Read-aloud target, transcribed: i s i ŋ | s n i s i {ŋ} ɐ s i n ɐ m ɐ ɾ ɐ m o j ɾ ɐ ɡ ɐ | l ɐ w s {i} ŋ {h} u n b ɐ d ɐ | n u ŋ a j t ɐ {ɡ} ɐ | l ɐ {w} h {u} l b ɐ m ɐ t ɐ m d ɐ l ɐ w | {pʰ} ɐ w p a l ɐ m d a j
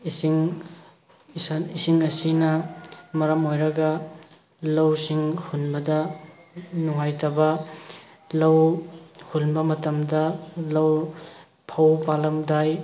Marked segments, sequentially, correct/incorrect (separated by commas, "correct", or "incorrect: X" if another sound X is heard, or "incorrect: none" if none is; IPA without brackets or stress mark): correct, correct, correct, incorrect: b, correct, correct, correct